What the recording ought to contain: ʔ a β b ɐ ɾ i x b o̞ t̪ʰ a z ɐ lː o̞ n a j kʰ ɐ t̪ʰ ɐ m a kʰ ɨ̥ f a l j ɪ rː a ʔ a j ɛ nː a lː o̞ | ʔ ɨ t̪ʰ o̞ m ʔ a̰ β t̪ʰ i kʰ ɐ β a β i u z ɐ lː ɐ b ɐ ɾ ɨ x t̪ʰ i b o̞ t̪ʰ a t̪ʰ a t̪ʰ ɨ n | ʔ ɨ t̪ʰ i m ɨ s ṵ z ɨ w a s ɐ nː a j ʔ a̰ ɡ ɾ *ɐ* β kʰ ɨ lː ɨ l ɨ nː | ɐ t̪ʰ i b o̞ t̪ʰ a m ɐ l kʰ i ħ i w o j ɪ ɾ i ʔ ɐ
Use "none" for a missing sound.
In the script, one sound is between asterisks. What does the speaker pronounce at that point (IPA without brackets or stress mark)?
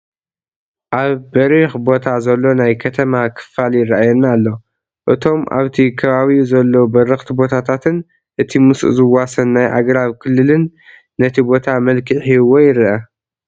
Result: a